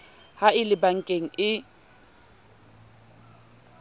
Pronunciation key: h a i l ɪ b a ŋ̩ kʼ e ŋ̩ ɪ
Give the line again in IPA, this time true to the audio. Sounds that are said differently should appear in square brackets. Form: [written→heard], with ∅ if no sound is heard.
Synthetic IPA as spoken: h a [i→ɪ] l ɪ b a ŋ̩ kʼ e ŋ̩ ɪ

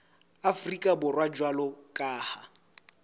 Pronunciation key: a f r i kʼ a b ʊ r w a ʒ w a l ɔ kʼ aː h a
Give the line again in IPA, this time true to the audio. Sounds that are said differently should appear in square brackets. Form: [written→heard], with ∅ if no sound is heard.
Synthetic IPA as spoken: a f r i kʼ a b ʊ r w a [ʒ→d͡ʒ] w a l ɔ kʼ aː h a

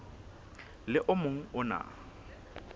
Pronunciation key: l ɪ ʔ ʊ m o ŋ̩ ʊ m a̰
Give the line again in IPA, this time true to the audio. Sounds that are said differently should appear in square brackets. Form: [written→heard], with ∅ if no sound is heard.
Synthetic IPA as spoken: l ɪ ʔ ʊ m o ŋ̩ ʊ [m→n] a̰

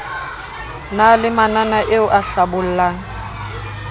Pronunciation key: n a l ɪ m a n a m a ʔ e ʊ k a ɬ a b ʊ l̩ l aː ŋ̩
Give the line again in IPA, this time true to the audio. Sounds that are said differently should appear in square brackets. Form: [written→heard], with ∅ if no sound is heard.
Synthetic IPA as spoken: n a l ɪ m a n a [m→n] a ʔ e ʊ [k→ʔ] a ɬ a b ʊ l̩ l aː ŋ̩

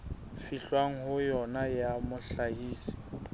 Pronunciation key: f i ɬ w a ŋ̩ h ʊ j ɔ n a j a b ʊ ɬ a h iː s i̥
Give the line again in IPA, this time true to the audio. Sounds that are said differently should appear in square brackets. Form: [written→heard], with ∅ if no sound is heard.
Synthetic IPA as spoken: f i ɬ w a ŋ̩ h ʊ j ɔ n a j a [b→m] ʊ ɬ a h iː s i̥

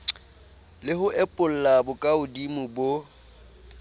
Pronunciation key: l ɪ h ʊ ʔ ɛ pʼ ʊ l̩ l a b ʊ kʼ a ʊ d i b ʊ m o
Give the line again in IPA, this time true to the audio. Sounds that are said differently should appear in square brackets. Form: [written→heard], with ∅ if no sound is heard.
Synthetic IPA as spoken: l ɪ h ʊ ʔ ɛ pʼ ʊ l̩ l a b ʊ kʼ a ʊ d i [b→m] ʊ [m→b] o

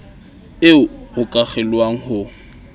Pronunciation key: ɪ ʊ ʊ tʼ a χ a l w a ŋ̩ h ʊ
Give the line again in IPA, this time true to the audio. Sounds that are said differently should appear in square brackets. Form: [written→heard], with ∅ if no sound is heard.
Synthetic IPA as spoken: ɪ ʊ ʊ [tʼ→kʼ] a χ [a→ɛ] l w a ŋ̩ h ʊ

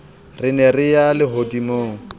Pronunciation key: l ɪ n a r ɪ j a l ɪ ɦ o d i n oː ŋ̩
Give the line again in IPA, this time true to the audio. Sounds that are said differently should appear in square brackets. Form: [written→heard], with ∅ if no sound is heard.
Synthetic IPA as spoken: [l→r] ɪ n [a→ɛ] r ɪ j a l ɪ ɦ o d i [n→m] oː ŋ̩

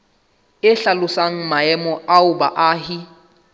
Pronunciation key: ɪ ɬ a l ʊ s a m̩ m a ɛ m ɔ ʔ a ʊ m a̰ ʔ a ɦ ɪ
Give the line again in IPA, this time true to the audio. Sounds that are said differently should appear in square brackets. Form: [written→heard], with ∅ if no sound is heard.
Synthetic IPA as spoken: ɪ ɬ a l ʊ s a [m̩→ŋ̩] m a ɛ m ɔ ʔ a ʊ [m→b] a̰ ʔ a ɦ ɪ

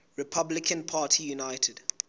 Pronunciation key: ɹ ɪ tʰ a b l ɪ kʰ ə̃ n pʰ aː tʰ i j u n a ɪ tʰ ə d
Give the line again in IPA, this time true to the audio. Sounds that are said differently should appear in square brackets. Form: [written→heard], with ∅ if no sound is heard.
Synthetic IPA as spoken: ɹ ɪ [tʰ→pʰ] a b l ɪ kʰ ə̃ n pʰ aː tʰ i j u n a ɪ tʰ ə d

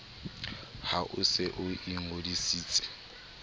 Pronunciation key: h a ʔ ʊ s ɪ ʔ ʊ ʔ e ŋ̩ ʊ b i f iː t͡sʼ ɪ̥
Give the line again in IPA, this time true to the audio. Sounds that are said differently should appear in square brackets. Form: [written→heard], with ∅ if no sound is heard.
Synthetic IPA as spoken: h a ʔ ʊ s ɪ ʔ ʊ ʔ [e→i] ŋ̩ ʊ [b→d] i [f→s] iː t͡sʼ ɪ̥

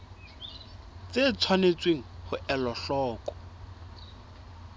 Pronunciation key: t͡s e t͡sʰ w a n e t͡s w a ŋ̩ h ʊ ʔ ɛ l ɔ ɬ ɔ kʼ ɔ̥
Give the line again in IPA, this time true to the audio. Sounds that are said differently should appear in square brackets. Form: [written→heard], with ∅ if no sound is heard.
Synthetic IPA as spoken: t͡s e t͡sʰ w a n e t͡s w [a→e] ŋ̩ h ʊ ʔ ɛ l ɔ ɬ [ɔ→ɔː] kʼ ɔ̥

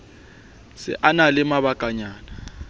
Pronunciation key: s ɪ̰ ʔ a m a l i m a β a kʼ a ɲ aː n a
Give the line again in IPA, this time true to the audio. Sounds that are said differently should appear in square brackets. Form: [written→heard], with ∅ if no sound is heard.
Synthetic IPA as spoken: s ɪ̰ ʔ a [m→n] a l [i→ɪ] m a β a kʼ a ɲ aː n a

